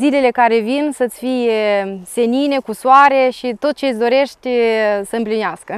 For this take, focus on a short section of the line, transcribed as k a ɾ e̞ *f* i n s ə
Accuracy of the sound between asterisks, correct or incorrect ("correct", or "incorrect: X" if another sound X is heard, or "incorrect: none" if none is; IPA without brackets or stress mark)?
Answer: incorrect: v